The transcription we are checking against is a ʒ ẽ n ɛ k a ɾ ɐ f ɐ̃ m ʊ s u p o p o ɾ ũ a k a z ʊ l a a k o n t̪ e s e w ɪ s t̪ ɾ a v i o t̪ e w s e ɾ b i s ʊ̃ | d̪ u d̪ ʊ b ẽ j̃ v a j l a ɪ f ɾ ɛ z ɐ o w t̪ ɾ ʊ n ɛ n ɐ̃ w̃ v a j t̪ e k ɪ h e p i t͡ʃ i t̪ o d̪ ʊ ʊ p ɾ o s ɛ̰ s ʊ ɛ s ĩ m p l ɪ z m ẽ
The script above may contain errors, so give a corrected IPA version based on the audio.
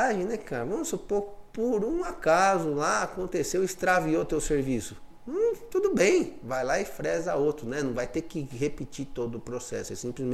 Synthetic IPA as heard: a ʒ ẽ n ɛ k a ɾ ɐ v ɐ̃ m ʊ s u p o p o ɾ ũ a k a z ʊ l a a k õ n t̪ e s e w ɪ s t̪ ɾ a v i o t̪ e w s e ɾ v i s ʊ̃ | t̪ u d̪ ʊ b ẽ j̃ v a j l a ɪ f ɾ ɛ z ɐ o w t̪ ɾ ʊ n ɛ n ɐ̃ w̃ v a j t̪ e k ɪ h e p i t͡ʃ i t̪ o d̪ ʊ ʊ p ɾ o s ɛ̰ s ʊ ɛ s ĩ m p l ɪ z m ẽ